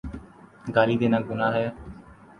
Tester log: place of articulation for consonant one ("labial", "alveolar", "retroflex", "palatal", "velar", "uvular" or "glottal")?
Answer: velar